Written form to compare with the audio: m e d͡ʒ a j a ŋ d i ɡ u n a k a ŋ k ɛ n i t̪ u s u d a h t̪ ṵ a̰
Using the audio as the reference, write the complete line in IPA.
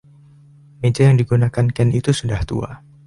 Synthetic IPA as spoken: m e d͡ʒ a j a ŋ d i ɡ u n a k a n k ɛ n i t̪ u s u d a h t̪ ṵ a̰